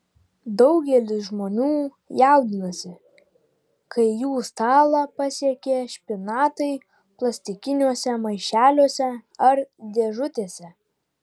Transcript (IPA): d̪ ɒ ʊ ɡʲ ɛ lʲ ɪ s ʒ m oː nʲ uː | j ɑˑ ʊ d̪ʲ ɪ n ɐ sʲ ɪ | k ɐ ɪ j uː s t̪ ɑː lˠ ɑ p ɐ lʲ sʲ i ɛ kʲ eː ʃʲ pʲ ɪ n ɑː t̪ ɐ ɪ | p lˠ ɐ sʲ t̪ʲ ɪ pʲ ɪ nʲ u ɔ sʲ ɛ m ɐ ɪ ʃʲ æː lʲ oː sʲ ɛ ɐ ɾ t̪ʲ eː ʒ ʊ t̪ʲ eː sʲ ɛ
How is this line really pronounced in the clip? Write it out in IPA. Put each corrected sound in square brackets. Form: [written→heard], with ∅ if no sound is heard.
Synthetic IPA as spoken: d̪ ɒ ʊ ɡʲ ɛ lʲ ɪ s ʒ m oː nʲ uː | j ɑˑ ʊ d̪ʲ ɪ n ɐ sʲ ɪ | k ɐ ɪ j uː s t̪ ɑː lˠ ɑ p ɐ [lʲ→∅] sʲ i ɛ kʲ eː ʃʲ pʲ ɪ n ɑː t̪ ɐ ɪ | p lˠ ɐ sʲ t̪ʲ ɪ [pʲ→kʲ] ɪ nʲ u ɔ sʲ ɛ m ɐ ɪ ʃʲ æː lʲ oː sʲ ɛ ɐ ɾ [t̪ʲ→d̪ʲ] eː ʒ ʊ t̪ʲ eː sʲ ɛ